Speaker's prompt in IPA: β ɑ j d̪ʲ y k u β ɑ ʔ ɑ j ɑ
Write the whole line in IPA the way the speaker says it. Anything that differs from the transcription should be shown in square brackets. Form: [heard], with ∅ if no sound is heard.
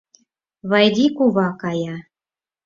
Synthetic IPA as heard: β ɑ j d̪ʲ [i] k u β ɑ [k] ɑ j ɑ